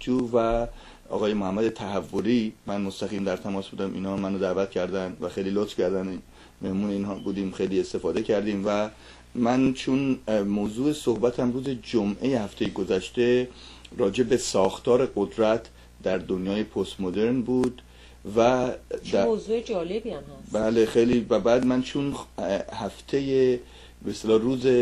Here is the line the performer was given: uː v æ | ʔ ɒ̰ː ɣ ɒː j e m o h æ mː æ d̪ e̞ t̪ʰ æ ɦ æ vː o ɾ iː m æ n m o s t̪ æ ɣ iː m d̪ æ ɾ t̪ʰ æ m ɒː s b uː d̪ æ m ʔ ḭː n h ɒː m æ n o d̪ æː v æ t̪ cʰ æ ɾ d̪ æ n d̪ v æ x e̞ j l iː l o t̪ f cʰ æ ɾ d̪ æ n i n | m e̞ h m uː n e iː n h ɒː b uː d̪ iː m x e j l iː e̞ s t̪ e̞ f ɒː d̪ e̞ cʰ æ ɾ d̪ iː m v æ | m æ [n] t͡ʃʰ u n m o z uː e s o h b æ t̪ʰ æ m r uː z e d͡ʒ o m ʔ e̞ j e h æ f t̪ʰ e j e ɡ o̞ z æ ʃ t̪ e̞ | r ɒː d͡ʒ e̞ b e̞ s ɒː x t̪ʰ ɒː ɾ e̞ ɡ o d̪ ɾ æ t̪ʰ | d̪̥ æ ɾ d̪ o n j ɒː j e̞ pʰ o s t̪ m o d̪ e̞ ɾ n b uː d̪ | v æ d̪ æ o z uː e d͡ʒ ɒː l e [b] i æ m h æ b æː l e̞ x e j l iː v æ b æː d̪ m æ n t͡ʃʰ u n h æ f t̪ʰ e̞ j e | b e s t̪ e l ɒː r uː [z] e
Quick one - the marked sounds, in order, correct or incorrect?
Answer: correct, correct, correct

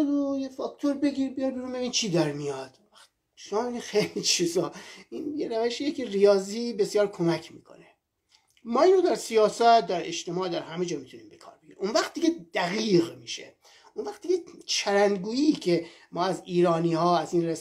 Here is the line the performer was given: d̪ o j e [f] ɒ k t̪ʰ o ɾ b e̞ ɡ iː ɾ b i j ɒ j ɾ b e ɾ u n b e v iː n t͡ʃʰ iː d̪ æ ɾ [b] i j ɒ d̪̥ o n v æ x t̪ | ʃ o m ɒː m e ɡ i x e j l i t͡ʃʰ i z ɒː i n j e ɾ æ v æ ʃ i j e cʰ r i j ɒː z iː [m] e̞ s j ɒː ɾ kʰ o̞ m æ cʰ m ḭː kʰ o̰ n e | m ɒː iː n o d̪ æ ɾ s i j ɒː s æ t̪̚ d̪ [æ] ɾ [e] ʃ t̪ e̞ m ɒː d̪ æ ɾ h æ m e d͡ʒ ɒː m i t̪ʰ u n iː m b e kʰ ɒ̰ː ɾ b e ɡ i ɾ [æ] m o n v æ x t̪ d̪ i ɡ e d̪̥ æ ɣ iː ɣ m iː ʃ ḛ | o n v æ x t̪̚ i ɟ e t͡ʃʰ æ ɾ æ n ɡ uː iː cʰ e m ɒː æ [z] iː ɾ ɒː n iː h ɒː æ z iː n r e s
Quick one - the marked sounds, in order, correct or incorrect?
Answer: correct, incorrect: m, incorrect: b, correct, correct, incorrect: i, correct

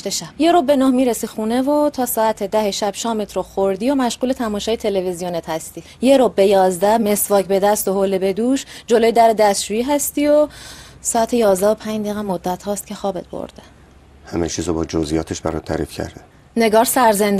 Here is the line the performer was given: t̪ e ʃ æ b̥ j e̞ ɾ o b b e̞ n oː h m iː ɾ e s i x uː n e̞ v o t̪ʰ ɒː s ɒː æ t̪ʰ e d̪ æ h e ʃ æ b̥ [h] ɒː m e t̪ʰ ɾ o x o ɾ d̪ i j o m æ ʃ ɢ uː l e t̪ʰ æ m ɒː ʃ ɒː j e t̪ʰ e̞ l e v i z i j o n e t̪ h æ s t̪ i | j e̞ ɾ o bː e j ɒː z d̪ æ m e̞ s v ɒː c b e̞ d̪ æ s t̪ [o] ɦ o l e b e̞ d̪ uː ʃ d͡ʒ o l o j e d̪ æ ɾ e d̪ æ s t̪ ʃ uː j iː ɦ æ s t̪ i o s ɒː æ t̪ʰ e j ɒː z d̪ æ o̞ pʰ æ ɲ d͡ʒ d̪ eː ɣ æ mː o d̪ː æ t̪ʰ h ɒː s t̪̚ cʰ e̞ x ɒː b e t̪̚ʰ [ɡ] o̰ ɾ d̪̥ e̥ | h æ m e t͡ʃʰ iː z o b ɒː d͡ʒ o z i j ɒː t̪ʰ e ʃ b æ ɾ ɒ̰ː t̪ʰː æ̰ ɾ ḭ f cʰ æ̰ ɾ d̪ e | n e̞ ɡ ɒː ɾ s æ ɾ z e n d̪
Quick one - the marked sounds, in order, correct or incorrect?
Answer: incorrect: ʃ, correct, incorrect: b

